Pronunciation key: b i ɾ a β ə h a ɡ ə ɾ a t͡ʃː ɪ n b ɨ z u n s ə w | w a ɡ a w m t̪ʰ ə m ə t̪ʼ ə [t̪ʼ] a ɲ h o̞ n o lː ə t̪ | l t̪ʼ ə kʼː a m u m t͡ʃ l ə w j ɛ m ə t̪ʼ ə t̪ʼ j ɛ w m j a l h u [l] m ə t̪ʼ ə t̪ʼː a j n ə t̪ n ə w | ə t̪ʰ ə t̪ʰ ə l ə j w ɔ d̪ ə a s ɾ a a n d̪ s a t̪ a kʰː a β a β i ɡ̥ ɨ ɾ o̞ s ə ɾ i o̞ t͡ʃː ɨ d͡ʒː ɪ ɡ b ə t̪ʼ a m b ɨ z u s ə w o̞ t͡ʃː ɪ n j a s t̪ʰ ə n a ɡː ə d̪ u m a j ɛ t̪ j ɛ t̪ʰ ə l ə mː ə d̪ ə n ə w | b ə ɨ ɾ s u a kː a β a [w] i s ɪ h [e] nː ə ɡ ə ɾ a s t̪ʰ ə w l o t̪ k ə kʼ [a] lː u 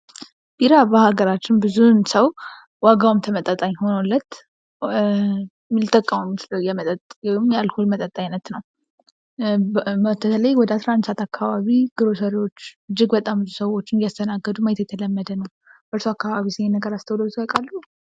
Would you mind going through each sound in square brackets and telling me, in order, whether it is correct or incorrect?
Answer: correct, correct, incorrect, correct, correct

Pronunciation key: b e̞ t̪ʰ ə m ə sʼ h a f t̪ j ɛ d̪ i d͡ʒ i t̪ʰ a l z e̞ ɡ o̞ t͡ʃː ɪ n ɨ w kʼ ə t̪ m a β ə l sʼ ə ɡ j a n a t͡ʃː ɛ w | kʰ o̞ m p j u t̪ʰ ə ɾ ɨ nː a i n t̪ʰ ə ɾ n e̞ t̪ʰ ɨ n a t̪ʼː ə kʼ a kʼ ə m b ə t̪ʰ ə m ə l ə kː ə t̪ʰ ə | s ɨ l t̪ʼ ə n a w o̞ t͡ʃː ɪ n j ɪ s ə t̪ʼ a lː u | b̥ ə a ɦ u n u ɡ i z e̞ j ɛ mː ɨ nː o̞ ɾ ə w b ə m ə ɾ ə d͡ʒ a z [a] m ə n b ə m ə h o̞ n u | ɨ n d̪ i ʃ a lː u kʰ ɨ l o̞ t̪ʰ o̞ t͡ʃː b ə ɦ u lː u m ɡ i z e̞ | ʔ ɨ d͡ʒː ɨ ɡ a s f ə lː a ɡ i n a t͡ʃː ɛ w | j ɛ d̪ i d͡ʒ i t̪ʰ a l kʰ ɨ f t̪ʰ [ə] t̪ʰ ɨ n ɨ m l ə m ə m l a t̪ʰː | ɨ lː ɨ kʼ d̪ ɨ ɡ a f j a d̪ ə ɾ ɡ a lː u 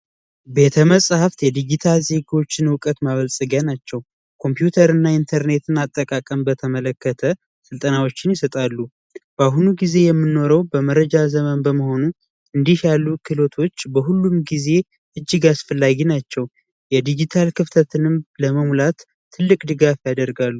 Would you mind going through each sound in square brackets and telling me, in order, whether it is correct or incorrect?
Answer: incorrect, correct

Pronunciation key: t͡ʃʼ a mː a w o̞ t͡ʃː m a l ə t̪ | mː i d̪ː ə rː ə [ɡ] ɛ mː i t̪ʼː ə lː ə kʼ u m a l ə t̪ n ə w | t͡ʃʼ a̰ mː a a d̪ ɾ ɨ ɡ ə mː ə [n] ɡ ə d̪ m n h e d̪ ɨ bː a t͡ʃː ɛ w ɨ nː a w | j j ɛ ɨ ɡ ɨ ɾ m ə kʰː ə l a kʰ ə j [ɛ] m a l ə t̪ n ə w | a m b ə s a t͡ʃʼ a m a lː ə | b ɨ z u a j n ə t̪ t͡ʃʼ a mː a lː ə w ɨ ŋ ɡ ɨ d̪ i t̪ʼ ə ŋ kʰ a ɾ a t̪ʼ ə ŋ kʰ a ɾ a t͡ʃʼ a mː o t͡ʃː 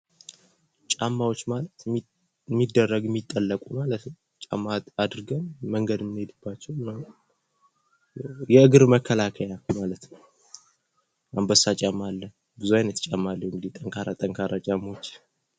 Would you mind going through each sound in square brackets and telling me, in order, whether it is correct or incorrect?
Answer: correct, incorrect, incorrect

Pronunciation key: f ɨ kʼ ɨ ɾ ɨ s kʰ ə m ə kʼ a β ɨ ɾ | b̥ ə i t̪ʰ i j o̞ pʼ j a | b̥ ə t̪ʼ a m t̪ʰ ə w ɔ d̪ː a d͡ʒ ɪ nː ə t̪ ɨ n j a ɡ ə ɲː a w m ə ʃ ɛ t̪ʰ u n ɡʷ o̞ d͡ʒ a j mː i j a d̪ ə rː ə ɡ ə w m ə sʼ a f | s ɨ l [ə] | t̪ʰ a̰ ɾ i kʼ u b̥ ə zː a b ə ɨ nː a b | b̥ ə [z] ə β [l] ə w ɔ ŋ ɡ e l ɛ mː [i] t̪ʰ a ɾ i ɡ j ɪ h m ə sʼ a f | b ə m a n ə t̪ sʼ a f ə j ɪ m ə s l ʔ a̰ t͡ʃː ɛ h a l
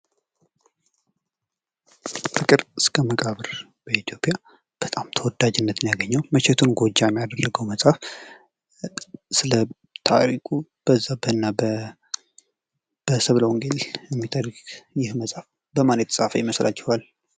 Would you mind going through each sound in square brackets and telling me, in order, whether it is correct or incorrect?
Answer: correct, incorrect, correct, correct

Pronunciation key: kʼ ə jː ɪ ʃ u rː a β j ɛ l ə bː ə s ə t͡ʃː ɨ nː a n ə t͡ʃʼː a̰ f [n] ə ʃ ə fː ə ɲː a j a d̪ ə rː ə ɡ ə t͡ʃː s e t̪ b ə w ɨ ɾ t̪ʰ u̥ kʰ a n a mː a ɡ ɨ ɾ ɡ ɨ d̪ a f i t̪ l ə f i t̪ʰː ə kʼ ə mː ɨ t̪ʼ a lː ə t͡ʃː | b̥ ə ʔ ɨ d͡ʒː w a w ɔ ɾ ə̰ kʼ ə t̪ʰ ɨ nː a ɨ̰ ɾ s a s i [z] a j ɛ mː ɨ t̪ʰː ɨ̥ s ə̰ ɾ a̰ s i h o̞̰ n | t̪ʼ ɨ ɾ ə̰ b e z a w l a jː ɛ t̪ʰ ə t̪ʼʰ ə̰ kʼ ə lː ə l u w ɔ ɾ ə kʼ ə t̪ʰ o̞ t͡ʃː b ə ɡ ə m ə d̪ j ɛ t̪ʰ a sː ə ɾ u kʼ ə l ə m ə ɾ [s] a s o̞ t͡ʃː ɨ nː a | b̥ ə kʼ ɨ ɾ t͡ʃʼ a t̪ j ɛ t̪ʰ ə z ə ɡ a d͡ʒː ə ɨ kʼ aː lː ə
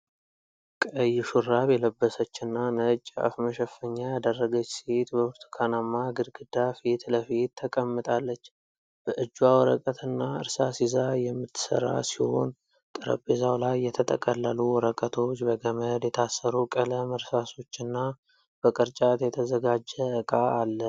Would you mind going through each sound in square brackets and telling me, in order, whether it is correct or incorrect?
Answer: incorrect, correct, correct

